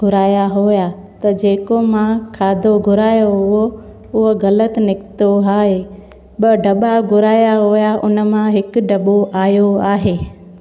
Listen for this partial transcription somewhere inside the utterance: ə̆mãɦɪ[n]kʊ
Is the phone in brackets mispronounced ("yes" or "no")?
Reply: yes